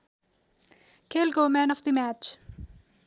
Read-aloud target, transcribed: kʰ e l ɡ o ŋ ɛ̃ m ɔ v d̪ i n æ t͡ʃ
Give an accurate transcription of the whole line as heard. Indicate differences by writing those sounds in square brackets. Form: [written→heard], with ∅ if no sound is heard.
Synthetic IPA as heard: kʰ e l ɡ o [ŋ→m] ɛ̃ [m→n] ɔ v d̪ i [n→m] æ t͡ʃ